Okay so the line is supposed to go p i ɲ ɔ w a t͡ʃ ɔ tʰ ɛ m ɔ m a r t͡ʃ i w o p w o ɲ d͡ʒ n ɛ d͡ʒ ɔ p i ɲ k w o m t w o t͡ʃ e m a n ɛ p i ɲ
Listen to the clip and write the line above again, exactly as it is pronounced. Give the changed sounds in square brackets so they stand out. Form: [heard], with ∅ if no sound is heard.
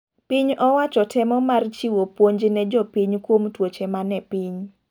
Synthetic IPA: p i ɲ ɔ w a t͡ʃ ɔ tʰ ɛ m ɔ m a r t͡ʃ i w o p w o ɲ d͡ʒ n ɛ d͡ʒ ɔ p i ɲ k w o m t w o t͡ʃ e m a n ɛ p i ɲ